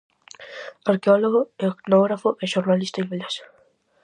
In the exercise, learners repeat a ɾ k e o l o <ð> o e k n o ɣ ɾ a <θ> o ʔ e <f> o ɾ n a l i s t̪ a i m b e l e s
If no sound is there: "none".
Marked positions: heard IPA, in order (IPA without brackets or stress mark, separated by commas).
ɣ, f, ʃ